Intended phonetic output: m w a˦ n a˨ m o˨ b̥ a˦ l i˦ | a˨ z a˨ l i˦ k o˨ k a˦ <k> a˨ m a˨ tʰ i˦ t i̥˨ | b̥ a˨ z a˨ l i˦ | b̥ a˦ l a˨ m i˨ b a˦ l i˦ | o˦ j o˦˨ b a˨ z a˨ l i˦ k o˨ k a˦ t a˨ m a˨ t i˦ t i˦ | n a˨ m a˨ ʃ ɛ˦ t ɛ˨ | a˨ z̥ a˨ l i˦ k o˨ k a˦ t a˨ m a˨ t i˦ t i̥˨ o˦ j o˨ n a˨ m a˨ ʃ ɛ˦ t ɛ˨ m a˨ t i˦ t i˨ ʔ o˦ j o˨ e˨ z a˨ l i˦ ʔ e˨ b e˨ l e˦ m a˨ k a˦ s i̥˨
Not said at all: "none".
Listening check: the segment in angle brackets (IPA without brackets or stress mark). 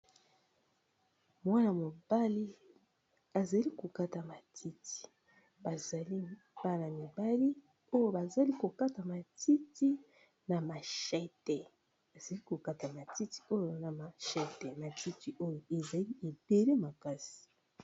t